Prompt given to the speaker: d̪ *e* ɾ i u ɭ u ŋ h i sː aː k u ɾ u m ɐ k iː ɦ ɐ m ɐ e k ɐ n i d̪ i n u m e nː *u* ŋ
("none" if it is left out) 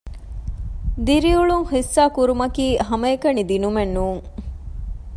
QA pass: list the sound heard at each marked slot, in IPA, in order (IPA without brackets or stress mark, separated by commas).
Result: i, uː